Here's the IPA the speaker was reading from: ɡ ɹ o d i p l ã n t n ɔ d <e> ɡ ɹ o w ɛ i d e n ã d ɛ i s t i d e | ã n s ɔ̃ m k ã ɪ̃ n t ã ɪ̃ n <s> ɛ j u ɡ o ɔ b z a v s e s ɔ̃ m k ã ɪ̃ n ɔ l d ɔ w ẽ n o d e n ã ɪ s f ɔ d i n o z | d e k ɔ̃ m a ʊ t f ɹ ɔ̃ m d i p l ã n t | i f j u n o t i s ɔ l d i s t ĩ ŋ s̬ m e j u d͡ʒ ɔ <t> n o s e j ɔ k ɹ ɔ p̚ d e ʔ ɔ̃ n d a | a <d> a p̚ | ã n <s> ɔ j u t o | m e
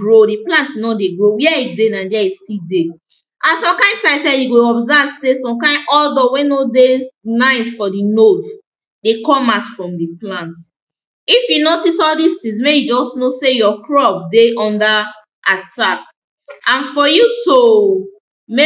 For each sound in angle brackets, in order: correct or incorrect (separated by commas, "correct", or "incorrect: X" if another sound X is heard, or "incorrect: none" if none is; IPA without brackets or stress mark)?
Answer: correct, correct, incorrect: s, incorrect: t, incorrect: f